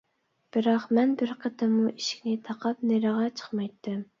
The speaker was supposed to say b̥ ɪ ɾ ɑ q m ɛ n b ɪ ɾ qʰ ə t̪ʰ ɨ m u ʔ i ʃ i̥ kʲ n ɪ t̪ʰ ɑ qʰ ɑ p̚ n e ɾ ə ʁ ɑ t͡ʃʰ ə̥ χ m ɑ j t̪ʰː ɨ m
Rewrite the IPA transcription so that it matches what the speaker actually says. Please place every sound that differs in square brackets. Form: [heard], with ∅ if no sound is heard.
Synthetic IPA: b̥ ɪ ɾ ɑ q m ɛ n b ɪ ɾ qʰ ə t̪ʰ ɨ m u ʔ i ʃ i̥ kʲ n ɪ t̪ʰ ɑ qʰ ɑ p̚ n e ɾ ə ʁ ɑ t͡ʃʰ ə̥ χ m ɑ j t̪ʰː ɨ m